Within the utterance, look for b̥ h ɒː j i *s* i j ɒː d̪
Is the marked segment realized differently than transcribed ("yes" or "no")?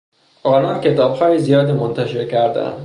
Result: yes